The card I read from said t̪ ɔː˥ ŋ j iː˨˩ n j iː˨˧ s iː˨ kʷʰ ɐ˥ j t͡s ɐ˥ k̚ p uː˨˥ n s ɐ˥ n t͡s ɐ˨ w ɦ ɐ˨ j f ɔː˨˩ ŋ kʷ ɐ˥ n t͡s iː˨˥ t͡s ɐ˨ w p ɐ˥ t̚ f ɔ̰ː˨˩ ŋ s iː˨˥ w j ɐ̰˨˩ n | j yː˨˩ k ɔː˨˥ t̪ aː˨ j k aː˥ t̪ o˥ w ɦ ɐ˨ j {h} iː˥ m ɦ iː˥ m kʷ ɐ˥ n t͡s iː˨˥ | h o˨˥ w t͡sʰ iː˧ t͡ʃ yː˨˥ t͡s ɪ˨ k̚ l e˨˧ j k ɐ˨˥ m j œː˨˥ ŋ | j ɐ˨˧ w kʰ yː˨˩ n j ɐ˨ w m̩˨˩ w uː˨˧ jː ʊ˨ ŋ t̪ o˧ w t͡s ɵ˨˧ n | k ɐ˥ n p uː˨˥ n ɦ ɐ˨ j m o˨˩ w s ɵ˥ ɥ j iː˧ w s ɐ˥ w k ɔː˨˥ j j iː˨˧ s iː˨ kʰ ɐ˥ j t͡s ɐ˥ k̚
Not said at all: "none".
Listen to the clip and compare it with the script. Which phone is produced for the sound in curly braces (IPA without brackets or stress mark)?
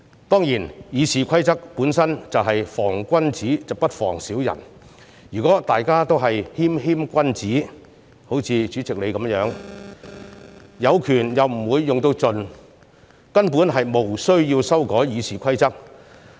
h